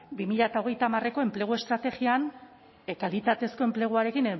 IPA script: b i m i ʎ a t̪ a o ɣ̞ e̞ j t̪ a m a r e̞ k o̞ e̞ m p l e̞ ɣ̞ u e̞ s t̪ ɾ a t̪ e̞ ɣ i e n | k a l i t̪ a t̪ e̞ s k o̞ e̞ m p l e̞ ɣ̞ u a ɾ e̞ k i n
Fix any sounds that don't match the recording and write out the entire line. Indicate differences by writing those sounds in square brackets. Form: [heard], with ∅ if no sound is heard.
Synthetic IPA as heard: b i m i ʎ a t̪ a o ɣ̞ e̞ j t̪ a m a r e̞ k o̞ e̞ m p l e̞ ɣ̞ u e̞ s t̪ ɾ a t̪ e̞ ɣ i [a] n | k a l i t̪ a t̪ e̞ s k o̞ e̞ m p l e̞ ɣ̞ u a ɾ e̞ k i n